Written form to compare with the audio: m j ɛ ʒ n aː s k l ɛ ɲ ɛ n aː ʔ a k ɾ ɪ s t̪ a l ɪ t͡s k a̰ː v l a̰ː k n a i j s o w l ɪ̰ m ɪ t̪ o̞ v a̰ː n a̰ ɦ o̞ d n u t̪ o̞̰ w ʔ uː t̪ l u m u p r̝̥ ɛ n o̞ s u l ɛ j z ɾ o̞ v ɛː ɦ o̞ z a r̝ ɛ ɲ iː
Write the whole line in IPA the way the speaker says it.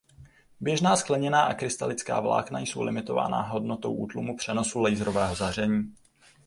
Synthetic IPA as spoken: b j ɛ ʒ n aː s k l ɛ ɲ ɛ n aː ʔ a k ɾ ɪ s t̪ a l ɪ t͡s k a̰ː v l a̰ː k n a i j s o w l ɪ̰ m ɪ t̪ o̞ v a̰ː n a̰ ɦ o̞ d n o t̪ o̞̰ w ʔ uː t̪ l u m u p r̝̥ ɛ n o̞ s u l ɛ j z ɾ o̞ v ɛː ɦ o̞ z a r̝ ɛ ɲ iː